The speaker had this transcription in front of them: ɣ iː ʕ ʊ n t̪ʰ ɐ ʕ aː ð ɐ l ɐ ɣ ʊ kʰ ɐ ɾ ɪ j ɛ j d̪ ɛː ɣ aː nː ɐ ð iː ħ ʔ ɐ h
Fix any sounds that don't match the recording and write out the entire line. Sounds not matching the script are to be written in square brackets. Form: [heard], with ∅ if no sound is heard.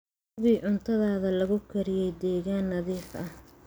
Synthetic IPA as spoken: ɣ iː ʕ ʊ n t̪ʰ ɐ [ð] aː ð ɐ l ɐ ɣ ʊ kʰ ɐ ɾ ɪ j ɛ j d̪ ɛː ɣ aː nː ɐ ð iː ħ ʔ ɐ h